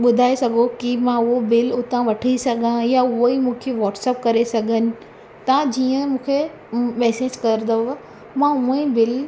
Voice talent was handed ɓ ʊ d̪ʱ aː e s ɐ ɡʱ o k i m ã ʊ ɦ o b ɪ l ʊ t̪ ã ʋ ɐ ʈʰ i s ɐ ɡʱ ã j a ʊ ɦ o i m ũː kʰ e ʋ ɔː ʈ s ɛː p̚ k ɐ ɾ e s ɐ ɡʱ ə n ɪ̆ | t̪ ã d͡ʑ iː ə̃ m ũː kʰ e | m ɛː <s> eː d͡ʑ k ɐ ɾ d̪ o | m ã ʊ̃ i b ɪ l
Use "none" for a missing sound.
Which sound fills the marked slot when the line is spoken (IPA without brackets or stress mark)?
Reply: s